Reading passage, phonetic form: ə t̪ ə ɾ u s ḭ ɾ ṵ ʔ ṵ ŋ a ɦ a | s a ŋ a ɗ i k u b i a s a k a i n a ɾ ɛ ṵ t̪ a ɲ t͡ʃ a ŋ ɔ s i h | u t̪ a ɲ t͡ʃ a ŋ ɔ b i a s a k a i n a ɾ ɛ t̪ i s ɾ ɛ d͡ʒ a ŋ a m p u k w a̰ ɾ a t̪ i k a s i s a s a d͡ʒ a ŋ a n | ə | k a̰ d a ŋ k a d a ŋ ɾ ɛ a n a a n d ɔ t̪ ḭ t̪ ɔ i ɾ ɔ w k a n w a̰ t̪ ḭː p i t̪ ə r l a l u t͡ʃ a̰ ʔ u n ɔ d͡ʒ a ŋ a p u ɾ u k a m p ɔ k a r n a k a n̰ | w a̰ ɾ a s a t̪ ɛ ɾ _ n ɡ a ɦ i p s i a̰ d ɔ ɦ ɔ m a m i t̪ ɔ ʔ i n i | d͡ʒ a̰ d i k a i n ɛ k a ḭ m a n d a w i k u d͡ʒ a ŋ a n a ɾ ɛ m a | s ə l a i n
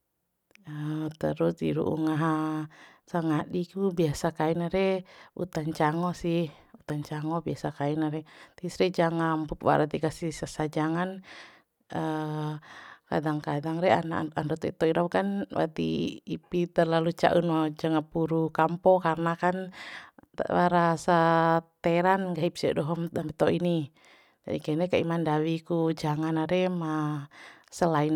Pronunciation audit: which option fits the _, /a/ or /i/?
a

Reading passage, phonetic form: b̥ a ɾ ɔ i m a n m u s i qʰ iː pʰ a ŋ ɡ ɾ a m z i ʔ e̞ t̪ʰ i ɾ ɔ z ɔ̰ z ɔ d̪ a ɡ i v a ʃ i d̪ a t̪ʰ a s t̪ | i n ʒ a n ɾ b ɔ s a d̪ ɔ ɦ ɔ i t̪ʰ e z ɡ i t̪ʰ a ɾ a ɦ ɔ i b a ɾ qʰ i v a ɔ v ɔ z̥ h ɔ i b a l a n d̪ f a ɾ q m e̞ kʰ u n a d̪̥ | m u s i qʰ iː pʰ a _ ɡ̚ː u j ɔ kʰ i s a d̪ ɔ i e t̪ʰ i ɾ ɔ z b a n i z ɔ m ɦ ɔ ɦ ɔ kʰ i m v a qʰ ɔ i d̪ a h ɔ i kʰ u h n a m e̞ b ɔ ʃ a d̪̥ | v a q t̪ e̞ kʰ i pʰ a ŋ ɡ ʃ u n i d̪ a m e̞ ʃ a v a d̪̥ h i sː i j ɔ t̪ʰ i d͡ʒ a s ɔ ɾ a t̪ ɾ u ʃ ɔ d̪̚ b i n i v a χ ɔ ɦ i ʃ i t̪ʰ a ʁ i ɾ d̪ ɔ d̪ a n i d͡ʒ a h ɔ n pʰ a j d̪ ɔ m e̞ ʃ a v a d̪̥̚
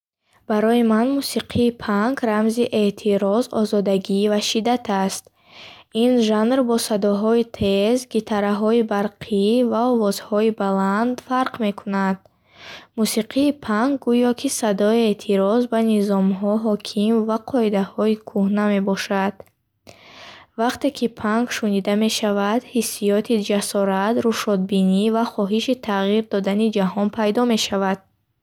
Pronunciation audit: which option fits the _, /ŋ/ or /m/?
ŋ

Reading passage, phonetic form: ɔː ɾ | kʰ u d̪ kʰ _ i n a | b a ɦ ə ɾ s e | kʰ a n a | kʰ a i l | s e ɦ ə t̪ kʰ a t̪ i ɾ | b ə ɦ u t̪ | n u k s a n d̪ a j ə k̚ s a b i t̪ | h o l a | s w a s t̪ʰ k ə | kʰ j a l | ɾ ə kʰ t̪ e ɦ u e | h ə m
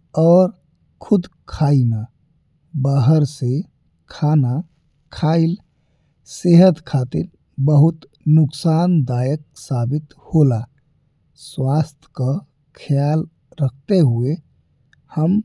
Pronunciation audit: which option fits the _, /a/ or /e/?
a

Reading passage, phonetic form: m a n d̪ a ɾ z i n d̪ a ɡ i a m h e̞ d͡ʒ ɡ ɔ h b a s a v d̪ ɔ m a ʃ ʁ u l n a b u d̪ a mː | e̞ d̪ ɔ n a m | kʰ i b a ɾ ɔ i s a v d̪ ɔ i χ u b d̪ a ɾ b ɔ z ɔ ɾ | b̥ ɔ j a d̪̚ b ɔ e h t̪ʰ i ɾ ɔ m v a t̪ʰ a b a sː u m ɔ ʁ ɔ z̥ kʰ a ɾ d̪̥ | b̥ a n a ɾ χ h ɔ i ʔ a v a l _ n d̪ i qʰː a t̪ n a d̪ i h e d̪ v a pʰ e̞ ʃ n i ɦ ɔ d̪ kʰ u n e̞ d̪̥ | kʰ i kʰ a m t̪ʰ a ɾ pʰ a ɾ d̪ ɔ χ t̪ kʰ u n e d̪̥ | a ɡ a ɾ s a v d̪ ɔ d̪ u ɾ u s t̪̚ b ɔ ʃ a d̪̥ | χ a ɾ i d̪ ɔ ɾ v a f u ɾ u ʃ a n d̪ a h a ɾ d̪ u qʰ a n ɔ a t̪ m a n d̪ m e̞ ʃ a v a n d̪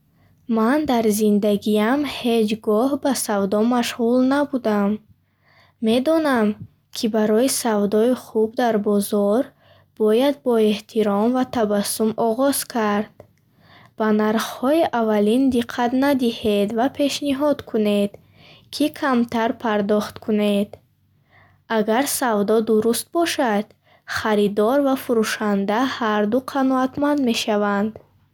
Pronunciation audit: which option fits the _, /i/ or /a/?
i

